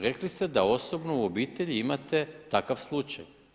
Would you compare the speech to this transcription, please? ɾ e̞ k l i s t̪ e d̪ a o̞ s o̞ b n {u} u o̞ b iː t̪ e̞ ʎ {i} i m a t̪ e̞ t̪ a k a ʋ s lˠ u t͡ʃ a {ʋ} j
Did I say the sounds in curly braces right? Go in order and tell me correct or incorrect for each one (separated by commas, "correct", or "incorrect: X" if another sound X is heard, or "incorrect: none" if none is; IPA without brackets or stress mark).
incorrect: o, correct, incorrect: none